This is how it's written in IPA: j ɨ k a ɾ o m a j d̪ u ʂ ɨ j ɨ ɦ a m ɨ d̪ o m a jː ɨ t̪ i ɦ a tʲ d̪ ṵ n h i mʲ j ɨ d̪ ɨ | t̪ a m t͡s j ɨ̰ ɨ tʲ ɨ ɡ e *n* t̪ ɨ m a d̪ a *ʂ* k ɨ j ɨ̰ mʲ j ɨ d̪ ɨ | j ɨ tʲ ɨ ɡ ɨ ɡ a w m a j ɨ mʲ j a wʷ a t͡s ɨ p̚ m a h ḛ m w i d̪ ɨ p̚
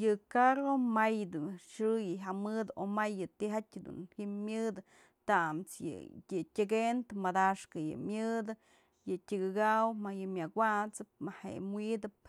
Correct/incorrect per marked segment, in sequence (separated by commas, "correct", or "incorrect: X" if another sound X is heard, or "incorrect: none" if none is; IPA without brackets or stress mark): correct, correct